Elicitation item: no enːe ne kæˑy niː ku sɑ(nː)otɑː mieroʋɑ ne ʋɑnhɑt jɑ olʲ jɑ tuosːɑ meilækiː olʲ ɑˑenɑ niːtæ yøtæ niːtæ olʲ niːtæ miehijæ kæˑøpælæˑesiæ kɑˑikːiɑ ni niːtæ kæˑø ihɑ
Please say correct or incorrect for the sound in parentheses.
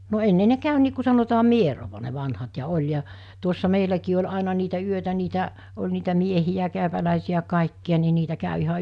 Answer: incorrect